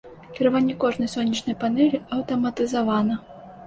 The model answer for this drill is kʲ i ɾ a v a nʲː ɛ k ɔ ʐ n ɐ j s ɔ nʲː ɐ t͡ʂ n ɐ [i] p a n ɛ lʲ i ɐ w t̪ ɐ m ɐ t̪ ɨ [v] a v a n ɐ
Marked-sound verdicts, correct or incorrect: incorrect, incorrect

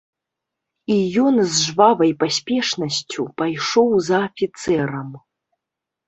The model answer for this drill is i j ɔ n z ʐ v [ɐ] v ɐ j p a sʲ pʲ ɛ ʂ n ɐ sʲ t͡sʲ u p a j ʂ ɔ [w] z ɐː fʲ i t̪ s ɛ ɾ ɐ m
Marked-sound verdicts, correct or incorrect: incorrect, correct

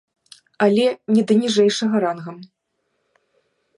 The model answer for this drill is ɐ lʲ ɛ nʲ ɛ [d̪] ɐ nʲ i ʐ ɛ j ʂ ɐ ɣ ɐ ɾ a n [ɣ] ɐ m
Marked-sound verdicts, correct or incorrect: correct, correct

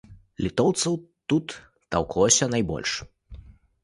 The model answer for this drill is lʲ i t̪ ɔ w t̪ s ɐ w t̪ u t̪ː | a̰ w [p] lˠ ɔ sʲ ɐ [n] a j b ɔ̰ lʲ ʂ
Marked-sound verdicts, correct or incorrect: incorrect, correct

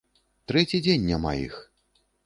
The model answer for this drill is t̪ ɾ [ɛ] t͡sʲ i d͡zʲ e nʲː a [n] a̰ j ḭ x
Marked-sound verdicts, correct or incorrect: correct, incorrect

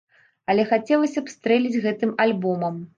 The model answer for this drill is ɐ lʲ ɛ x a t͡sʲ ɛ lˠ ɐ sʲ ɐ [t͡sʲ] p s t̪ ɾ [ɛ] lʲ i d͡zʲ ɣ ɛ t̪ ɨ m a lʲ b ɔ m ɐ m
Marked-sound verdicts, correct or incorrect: incorrect, correct

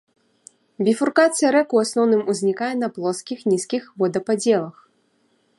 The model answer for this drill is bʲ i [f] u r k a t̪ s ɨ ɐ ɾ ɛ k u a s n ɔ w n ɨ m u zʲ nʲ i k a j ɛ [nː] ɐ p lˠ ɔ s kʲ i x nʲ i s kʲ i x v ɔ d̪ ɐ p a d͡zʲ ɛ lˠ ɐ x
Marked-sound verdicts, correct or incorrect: correct, incorrect

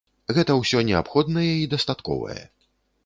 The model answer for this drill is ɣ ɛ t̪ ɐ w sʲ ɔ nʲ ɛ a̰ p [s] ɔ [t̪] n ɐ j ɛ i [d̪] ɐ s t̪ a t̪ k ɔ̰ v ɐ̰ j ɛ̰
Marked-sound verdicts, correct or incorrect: incorrect, incorrect, correct

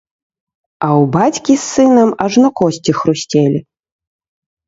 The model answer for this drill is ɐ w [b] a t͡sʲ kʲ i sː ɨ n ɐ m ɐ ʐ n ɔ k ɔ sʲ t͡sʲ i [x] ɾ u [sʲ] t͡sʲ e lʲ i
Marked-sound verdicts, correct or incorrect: correct, correct, correct

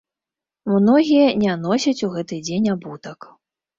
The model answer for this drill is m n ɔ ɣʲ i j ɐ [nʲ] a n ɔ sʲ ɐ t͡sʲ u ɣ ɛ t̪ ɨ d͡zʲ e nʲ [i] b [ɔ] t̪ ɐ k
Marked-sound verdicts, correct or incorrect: correct, incorrect, incorrect

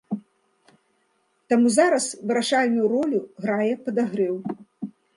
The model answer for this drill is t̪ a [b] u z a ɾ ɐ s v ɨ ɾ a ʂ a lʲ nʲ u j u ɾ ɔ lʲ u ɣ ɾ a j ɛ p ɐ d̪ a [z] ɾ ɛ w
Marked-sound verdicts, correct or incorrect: incorrect, incorrect

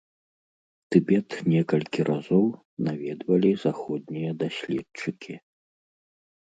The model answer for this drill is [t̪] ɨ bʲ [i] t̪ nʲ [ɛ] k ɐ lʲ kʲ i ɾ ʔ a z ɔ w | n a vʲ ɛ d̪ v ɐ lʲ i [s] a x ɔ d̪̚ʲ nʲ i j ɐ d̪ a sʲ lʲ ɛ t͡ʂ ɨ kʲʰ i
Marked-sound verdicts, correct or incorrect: correct, incorrect, correct, incorrect

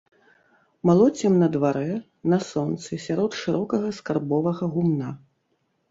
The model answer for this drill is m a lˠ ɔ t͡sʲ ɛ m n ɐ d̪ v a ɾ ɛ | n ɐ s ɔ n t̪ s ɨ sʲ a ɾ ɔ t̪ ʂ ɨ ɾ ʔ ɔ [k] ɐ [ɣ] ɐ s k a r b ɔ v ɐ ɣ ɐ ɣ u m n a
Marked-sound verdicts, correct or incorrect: correct, correct

